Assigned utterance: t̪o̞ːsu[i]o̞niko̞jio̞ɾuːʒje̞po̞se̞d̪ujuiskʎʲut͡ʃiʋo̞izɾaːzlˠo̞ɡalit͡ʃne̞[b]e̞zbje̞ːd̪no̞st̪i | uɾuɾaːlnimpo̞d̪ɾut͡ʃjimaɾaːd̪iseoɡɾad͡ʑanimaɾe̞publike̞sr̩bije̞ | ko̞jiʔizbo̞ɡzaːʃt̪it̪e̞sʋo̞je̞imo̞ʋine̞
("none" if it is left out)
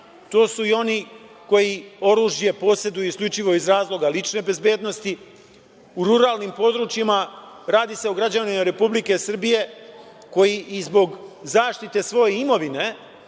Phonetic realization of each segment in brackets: i, b

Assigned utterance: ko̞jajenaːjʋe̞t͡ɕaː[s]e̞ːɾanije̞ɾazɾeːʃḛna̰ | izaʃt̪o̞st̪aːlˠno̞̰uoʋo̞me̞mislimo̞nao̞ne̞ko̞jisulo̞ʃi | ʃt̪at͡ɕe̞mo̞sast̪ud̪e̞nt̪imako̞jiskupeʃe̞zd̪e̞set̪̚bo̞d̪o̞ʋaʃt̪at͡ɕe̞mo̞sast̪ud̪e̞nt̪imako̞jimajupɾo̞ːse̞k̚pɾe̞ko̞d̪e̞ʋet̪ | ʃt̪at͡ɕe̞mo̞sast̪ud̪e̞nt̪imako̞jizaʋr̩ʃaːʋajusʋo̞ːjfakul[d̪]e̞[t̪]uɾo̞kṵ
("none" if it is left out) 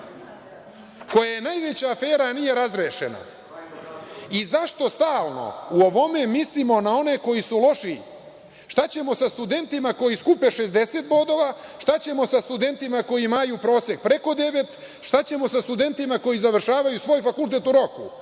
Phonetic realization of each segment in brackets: f, t̪, t̪

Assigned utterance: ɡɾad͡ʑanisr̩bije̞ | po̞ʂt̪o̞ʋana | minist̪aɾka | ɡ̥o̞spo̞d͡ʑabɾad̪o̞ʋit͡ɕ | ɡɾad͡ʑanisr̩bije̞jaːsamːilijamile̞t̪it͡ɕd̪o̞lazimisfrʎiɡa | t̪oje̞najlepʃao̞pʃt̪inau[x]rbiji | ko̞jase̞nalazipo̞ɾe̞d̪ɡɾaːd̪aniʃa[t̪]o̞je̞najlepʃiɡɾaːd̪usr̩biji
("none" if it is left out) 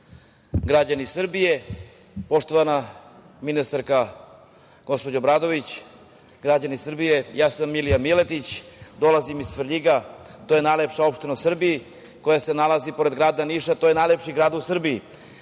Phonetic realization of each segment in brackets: s, t̪

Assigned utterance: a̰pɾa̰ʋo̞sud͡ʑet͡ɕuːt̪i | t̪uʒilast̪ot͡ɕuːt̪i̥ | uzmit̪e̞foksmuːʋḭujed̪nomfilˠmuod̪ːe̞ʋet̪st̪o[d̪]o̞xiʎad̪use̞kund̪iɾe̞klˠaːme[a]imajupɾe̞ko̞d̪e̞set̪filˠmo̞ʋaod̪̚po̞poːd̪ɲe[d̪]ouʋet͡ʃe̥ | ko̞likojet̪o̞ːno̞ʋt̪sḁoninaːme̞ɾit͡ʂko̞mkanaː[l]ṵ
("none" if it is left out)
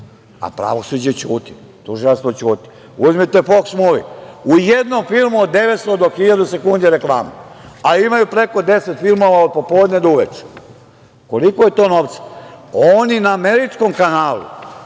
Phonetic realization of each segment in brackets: d̪, a, d̪, l

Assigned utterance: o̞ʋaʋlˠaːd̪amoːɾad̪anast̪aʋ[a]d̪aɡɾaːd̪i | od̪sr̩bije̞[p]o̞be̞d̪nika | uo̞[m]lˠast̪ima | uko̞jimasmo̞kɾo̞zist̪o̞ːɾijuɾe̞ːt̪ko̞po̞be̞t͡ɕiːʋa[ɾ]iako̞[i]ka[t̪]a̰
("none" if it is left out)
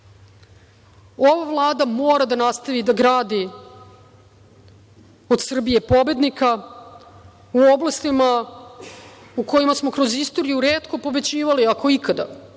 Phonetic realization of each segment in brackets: i, p, b, l, i, d̪

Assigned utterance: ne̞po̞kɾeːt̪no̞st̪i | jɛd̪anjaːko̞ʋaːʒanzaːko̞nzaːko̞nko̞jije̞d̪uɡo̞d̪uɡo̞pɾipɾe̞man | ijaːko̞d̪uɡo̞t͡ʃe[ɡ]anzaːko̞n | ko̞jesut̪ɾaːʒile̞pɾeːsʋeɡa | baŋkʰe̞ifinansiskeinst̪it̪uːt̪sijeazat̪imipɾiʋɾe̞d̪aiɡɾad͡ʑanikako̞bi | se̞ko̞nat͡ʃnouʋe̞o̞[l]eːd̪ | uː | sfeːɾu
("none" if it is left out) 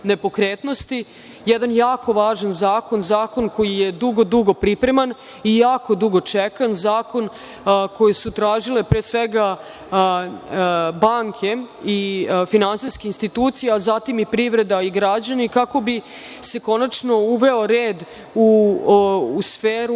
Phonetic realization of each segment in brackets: k, ɾ

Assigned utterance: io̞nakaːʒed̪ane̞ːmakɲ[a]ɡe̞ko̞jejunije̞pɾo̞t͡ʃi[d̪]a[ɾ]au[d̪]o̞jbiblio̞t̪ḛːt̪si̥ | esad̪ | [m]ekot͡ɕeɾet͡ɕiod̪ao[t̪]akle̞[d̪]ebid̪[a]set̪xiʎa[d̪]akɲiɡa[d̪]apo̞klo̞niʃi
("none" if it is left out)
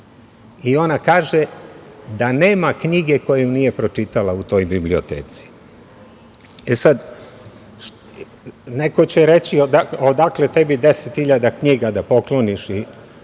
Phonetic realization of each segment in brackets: i, t̪, l, t̪, n, d̪, t̪, e, d̪, d̪

